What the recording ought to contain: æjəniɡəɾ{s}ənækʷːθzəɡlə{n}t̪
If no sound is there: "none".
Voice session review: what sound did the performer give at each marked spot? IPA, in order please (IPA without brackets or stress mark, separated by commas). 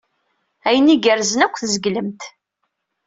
z, m